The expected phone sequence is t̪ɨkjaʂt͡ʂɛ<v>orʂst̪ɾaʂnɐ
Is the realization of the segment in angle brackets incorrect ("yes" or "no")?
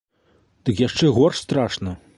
yes